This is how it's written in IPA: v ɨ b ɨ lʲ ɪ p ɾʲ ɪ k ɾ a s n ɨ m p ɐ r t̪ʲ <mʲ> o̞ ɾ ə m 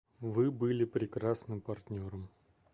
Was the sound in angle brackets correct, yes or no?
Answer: no